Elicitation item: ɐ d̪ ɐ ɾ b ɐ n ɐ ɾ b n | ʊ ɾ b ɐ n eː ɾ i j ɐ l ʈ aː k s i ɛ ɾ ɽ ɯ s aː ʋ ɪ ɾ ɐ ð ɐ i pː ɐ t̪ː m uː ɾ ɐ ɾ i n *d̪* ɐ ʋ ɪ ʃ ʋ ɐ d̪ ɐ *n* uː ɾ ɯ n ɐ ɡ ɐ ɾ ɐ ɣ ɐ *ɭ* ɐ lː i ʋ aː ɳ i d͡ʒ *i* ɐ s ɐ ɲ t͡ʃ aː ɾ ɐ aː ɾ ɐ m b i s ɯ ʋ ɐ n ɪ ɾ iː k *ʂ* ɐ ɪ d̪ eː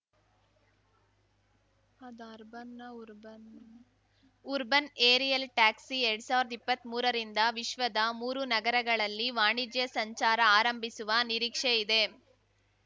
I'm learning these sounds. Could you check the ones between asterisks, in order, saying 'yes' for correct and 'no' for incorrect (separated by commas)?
yes, no, yes, no, yes